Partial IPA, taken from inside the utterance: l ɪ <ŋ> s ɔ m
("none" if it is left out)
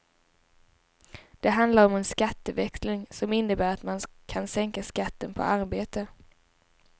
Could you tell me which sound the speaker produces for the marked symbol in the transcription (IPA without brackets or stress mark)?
ŋ